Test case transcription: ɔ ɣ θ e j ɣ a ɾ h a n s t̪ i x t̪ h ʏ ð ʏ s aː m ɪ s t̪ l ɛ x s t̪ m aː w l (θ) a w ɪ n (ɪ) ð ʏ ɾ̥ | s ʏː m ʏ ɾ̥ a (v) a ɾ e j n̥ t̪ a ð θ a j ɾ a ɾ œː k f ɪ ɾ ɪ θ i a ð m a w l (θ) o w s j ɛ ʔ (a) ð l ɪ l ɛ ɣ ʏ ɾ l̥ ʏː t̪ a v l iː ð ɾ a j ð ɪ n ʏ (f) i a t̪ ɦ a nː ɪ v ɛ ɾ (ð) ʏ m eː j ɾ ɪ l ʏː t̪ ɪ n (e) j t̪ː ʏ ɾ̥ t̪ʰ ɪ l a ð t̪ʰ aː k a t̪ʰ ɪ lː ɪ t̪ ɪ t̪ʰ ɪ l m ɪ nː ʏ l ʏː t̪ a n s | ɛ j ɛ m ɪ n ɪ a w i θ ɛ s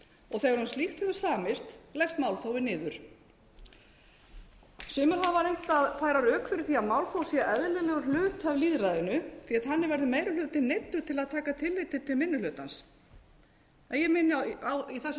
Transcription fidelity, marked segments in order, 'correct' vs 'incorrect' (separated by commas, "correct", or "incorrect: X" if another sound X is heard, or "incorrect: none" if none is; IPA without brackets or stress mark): correct, incorrect: ɪː, correct, correct, incorrect: ɛ, incorrect: θ, correct, correct